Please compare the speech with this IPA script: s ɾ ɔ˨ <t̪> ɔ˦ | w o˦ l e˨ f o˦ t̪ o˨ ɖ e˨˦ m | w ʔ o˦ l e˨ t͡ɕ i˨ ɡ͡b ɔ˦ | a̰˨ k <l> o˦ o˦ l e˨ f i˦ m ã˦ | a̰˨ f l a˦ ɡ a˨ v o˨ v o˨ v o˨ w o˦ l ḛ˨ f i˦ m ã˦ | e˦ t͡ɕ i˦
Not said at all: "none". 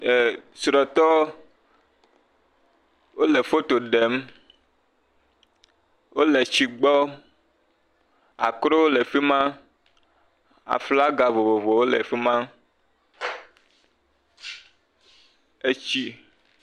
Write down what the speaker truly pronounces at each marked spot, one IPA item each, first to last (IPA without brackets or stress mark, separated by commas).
t̪, ɾ